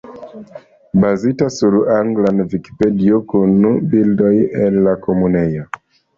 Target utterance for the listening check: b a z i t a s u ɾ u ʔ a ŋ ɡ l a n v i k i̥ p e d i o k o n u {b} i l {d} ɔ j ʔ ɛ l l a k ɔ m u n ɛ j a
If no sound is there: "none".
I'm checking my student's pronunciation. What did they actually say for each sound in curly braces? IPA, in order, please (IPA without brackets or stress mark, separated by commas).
b, d